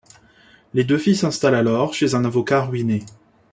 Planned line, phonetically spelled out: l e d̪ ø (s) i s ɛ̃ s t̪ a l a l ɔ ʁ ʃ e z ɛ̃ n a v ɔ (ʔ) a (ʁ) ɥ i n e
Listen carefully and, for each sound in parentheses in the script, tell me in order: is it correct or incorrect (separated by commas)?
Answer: incorrect, incorrect, correct